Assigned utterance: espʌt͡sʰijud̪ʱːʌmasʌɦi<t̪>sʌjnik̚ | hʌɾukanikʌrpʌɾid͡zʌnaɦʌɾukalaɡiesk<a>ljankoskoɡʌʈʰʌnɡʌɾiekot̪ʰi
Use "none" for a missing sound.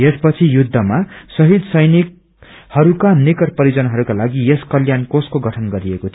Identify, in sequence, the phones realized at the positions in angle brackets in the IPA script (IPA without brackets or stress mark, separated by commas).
d̪, ʌ